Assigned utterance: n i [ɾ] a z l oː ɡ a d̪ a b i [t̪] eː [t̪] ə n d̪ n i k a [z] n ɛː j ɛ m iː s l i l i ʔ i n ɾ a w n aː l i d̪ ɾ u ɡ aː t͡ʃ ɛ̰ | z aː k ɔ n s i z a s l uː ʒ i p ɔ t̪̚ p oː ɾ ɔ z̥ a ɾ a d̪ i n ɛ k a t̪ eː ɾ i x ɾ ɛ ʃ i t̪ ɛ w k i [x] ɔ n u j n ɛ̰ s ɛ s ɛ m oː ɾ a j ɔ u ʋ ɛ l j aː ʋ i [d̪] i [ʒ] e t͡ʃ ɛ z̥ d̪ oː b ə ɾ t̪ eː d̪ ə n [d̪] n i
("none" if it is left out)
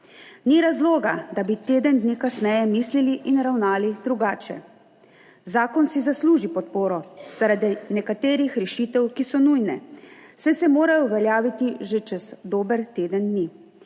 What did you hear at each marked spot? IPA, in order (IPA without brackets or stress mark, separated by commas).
ɾ, t̪, d̪, s, s, t̪, ʒ, d̪